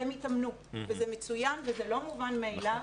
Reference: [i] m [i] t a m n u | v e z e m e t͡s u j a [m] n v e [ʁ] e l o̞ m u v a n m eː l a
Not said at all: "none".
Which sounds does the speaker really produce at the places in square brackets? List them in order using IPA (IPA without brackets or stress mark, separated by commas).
e, i, none, z